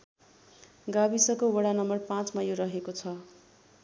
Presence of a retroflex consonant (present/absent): present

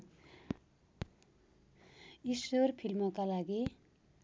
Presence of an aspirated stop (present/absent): present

